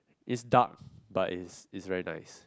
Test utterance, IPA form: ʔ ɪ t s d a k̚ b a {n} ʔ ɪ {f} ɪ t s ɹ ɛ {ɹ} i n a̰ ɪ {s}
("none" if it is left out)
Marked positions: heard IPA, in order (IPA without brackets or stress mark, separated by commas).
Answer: none, s, ɹ, s